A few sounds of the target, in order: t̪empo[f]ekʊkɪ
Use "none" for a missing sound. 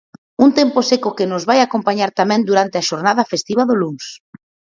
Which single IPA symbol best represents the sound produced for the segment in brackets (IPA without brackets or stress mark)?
s